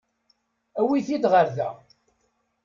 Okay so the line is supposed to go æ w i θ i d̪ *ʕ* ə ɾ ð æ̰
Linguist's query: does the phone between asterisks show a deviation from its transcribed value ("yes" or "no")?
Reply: yes